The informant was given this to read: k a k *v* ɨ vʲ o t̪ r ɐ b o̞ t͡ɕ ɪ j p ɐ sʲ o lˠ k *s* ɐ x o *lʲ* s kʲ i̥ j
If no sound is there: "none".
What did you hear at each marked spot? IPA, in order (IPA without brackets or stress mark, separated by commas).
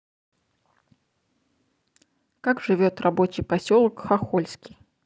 ʐ, x, lʲ